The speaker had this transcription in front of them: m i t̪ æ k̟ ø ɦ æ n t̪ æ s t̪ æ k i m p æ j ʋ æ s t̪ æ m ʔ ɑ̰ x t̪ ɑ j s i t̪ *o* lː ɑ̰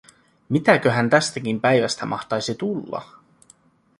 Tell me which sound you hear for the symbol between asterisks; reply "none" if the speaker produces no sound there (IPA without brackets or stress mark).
u